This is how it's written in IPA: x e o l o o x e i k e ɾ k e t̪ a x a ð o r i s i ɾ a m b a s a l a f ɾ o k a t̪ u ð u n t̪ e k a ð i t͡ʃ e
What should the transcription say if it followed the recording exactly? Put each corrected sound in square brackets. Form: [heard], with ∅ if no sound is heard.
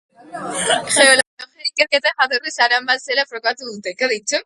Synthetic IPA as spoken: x e o l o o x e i k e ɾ k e t̪ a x a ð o r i s [a] ɾ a m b a s [e] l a f ɾ o k a t̪ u ð u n t̪ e k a ð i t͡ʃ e

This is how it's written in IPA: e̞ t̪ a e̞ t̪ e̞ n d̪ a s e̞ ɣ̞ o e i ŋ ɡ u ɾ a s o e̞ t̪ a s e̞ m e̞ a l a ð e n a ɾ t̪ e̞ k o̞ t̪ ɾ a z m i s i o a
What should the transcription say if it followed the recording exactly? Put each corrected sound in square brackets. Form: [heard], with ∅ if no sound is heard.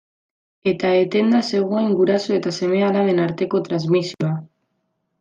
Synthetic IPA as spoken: e̞ t̪ a e̞ t̪ e̞ n d̪ a s e̞ ɣ̞ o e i ŋ ɡ u ɾ a s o e̞ t̪ a s e̞ m e̞ a l a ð e n a ɾ t̪ e̞ k o̞ t̪ ɾ a z m i s i o a

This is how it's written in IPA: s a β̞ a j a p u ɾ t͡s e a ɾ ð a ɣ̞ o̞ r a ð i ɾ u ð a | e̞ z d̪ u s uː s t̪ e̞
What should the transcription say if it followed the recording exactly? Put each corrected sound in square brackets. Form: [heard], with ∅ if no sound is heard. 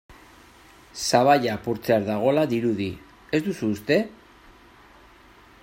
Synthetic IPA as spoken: s a β̞ a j a p u ɾ t͡s e a ɾ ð a ɣ̞ o̞ [l] a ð i ɾ u ð [i] | e̞ z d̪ u s uː s t̪ e̞

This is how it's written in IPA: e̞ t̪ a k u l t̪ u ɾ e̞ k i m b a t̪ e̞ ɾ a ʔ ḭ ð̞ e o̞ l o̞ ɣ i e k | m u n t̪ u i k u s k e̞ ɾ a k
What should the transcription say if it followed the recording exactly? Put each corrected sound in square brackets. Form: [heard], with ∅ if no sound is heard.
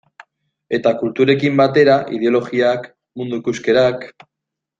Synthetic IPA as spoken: e̞ t̪ a k u l t̪ u ɾ e̞ k i m b a t̪ e̞ ɾ a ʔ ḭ ð̞ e o̞ l o̞ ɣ i [a] k | m u n [d̪] u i k u s k e̞ ɾ a k

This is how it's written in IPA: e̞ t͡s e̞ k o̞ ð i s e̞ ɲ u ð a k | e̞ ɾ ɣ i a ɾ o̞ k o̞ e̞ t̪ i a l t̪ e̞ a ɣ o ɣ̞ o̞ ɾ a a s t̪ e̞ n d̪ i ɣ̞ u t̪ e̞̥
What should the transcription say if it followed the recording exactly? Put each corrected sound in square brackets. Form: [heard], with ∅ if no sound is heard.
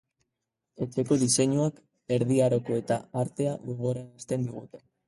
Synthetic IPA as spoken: e̞ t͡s e̞ k o̞ ð i s e̞ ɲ u [∅] a k | e̞ ɾ [ð] i a ɾ o̞ k o̞ e̞ t̪ [a] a [ɾ] t̪ e̞ a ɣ o ɣ̞ o̞ ɾ a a s t̪ e̞ n d̪ i ɣ̞ u t̪ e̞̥

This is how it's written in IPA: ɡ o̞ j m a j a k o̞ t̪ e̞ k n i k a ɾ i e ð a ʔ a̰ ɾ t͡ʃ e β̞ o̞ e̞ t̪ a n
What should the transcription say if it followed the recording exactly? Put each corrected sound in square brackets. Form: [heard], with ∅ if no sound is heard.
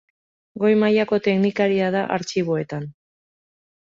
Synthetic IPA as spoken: ɡ o̞ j m a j a k o̞ t̪ e̞ k n i k a ɾ i [a] ð a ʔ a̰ ɾ t͡ʃ [i] β̞ o̞ e̞ t̪ a n

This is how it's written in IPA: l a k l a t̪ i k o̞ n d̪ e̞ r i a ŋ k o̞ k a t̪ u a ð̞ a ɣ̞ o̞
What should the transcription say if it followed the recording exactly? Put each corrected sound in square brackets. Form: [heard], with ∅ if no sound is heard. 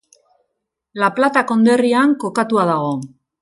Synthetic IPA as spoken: l a [p] l a t̪ [a] k o̞ n d̪ e̞ r i a ŋ k o̞ k a t̪ u a ð̞ a ɣ̞ o̞

